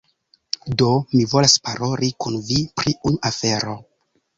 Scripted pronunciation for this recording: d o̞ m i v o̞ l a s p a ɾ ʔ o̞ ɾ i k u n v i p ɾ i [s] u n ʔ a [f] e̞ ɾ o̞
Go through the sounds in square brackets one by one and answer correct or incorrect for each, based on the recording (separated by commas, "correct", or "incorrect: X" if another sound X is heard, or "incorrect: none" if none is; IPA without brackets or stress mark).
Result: incorrect: none, correct